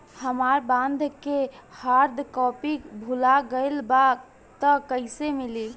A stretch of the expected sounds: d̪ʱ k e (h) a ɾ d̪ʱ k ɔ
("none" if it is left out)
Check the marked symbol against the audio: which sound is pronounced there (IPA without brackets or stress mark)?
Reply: h